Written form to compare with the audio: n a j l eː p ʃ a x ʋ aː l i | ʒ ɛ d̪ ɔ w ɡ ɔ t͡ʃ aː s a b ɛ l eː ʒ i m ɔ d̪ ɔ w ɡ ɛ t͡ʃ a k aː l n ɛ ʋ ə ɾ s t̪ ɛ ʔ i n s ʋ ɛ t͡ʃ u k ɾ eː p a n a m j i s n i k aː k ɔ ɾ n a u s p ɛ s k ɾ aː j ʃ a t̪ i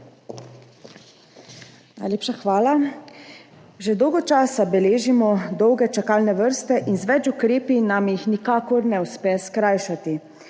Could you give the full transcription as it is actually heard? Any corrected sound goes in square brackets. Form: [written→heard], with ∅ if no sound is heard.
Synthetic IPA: n a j l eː p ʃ a x ʋ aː l [i→a] | ʒ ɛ d̪ ɔ w ɡ ɔ t͡ʃ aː s a b ɛ l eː ʒ i m ɔ d̪ ɔ w ɡ ɛ t͡ʃ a k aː l n ɛ ʋ ə ɾ s t̪ ɛ ʔ i n [s→z] ʋ ɛ t͡ʃ u k ɾ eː p [a→i] n a m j i [s→x] n i k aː k ɔ ɾ n [a→ɛ] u s p ɛ s k ɾ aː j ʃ a t̪ i